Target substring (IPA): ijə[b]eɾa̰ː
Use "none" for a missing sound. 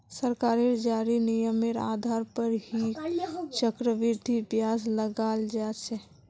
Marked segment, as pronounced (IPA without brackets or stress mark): m